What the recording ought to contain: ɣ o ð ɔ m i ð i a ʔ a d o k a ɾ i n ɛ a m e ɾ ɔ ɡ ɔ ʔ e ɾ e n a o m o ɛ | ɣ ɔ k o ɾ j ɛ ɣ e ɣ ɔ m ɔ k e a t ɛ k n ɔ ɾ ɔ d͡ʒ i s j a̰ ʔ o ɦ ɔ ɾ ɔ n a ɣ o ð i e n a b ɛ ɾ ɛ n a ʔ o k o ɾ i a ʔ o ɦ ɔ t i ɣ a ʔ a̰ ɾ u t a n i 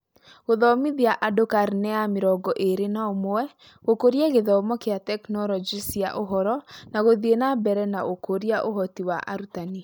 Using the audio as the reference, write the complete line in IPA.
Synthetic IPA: ɣ o ð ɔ m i ð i a ʔ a d o k a ɾ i n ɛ a m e ɾ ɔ ɡ ɔ ʔ e ɾ e n a o m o ɛ | ɣ o k o ɾ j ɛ ɣ e ð ɔ m ɔ k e a t ɛ k n ɔ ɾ ɔ d͡ʒ i s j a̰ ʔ o ɦ ɔ ɾ ɔ n a ɣ o ð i e n a b ɛ ɾ ɛ n a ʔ o k o ɾ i a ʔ o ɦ ɔ t i w a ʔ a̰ ɾ u t a n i